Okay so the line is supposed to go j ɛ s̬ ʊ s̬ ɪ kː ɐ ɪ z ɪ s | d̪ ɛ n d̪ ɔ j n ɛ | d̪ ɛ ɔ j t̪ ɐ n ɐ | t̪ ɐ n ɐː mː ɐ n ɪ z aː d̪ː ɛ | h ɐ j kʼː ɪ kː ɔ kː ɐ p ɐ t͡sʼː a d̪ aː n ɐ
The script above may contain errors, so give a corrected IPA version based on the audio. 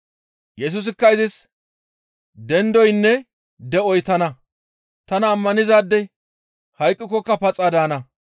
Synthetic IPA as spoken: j ɛ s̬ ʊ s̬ ɪ kː ɐ ɪ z ɪ s | d̪ ɛ n d̪ ɔ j nː ɛ | d̪ ɛ ɔ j t̪ ɐ n ɐ | t̪ ɐ n ɐː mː ɐ n ɪ z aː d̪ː ɛ | h ɐ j kʼː ɪ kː ɔ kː ɐ p ɐ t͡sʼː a d̪ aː n ɐ